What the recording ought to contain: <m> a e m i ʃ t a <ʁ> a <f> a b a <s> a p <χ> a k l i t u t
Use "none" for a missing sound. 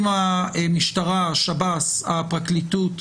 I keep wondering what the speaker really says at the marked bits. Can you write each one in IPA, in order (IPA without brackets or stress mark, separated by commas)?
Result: m, ʁ, ʃ, s, ʁ